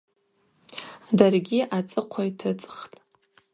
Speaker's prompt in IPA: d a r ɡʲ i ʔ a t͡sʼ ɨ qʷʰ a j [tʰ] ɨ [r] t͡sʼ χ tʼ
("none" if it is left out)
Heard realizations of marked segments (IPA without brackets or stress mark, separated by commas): tʰ, none